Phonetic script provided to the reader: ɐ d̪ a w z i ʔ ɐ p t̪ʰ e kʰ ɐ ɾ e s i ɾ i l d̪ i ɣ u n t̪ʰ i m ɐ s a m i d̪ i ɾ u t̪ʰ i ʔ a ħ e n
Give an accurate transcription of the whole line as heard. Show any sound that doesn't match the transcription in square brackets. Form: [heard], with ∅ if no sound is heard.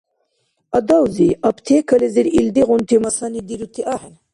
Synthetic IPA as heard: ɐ d̪ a w z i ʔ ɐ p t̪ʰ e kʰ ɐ [l] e [z] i ɾ i l d̪ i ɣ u n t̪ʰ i m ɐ s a [n] i d̪ i ɾ u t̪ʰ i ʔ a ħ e n